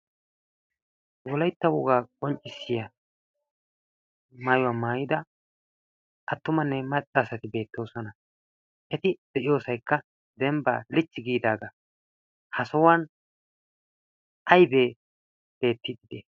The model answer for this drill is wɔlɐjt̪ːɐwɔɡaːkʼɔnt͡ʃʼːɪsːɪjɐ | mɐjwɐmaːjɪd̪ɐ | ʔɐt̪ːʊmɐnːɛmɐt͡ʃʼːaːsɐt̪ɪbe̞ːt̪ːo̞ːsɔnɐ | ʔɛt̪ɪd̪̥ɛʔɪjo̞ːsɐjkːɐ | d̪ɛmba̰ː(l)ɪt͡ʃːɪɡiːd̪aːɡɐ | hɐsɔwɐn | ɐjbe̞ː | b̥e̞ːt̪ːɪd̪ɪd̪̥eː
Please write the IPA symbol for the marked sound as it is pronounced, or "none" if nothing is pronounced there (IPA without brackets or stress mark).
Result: l